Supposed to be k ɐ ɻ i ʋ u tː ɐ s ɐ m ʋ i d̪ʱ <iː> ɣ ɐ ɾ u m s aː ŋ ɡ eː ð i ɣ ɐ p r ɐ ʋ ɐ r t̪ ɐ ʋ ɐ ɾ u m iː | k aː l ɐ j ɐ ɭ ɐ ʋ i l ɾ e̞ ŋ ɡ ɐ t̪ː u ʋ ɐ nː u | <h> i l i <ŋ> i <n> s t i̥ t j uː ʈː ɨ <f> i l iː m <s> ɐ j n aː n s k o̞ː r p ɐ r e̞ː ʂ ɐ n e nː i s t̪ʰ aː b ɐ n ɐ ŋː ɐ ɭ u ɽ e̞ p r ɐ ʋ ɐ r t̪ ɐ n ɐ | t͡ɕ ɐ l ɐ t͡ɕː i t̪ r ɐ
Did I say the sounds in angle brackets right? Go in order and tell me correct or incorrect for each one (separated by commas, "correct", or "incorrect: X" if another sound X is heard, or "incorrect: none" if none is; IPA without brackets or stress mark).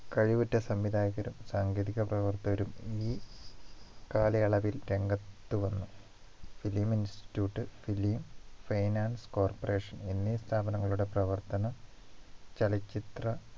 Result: incorrect: aː, incorrect: f, incorrect: m, correct, correct, incorrect: f